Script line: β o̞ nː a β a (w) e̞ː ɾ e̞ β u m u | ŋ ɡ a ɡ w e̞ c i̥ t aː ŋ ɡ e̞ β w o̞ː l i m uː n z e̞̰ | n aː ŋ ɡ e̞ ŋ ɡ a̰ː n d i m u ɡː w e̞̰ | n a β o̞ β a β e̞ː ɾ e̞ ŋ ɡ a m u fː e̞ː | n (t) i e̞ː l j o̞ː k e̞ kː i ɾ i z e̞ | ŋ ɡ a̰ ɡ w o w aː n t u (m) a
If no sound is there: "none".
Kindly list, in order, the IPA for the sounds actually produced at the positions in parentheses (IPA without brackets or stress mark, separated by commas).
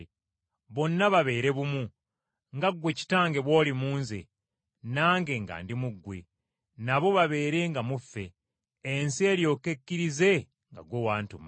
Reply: β, s, m